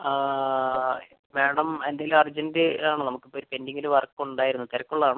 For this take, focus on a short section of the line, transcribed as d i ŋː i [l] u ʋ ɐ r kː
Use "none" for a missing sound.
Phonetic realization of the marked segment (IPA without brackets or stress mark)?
l